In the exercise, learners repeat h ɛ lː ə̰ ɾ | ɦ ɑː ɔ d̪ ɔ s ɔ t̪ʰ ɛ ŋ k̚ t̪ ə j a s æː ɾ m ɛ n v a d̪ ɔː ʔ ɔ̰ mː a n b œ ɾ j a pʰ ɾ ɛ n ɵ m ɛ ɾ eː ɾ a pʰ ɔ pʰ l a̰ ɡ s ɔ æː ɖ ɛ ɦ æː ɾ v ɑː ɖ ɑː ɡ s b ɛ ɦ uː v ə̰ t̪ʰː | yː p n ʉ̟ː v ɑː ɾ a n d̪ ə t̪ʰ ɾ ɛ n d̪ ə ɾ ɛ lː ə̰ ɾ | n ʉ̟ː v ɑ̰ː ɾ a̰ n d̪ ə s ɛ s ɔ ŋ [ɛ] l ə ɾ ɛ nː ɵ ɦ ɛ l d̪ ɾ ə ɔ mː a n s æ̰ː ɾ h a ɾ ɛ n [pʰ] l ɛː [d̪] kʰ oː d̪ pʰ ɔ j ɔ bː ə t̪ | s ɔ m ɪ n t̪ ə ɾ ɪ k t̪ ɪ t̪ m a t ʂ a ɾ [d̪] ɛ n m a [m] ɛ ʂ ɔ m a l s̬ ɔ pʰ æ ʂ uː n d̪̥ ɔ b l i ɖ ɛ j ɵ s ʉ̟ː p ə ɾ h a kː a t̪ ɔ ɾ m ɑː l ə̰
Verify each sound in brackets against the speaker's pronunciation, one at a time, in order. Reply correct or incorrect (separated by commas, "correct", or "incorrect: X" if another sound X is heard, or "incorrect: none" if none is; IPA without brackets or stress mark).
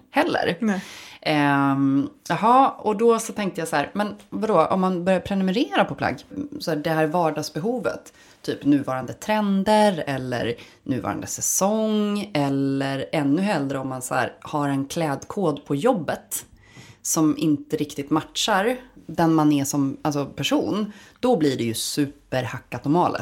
correct, incorrect: kʰ, correct, correct, incorrect: n